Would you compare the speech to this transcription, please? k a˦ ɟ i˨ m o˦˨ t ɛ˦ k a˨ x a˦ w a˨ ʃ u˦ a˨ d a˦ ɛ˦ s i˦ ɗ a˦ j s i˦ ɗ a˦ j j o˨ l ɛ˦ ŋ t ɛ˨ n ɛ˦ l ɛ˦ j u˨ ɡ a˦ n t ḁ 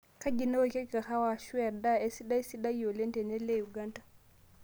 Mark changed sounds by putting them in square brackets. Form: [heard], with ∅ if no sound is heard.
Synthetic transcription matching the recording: k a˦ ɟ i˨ [n] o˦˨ [k] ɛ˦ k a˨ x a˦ w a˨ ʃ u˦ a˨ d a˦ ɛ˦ s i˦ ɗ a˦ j s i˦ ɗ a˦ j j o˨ l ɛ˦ [n] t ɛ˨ n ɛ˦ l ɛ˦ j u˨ ɡ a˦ n t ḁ